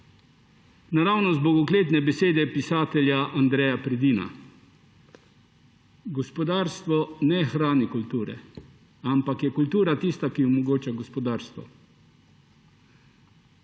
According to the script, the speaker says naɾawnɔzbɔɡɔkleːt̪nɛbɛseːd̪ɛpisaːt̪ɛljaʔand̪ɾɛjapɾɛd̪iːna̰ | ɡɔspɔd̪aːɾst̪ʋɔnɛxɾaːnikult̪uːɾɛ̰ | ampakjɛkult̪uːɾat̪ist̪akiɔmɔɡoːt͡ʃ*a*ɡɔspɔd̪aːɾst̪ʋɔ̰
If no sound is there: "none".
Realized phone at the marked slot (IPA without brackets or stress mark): a